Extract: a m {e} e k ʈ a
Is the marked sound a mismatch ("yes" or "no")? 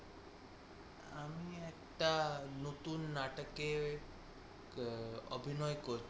yes